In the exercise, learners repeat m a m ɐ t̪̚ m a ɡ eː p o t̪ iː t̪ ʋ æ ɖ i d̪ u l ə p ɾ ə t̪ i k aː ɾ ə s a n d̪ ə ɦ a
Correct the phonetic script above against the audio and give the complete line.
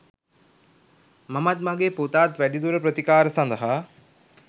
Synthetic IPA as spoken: m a m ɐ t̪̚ m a ɡ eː p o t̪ aː t̪ ʋ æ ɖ i d̪ u ɾ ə p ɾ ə t̪ i k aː ɾ ə s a n d̪ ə ɦ a